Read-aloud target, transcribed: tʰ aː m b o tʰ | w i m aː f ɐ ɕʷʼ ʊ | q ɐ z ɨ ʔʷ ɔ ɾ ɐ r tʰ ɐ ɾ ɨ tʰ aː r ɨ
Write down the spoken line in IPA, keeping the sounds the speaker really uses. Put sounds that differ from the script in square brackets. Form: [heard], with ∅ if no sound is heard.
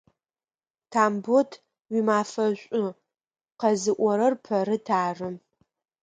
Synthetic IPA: tʰ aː m b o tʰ | w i m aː f ɐ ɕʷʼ ʊ | q ɐ z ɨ ʔʷ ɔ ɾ ɐ r [pʰ] ɐ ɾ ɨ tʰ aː r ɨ